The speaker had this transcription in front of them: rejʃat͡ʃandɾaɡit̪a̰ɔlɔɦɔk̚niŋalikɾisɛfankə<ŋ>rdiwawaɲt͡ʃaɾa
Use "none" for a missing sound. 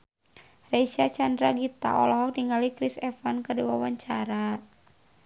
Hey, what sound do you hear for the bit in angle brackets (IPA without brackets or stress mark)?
none